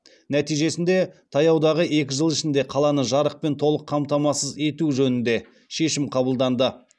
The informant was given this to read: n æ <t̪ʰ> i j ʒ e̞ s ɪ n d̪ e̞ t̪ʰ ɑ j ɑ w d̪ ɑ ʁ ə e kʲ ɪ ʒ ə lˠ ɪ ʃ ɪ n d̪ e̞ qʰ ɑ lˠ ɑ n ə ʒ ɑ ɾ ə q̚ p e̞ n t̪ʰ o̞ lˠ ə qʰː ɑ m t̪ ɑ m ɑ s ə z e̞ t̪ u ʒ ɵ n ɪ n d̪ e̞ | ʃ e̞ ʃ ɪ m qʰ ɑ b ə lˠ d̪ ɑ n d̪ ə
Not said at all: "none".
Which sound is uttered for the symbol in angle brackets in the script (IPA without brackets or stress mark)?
t̪